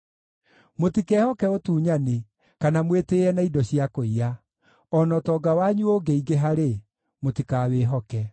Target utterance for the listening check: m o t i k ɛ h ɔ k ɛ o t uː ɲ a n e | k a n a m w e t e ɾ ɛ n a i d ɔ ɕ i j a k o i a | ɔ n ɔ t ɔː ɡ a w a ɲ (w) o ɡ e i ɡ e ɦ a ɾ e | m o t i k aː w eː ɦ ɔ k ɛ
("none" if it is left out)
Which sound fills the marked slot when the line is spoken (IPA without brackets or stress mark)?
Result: u